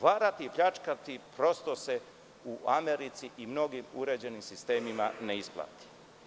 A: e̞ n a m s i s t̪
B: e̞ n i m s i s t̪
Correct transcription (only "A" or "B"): B